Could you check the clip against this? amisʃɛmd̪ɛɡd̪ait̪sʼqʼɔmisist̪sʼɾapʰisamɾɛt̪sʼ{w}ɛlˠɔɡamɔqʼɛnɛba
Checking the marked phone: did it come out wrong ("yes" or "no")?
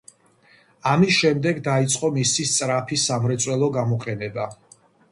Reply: no